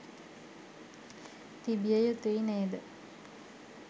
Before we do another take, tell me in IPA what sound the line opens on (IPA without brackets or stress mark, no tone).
t̪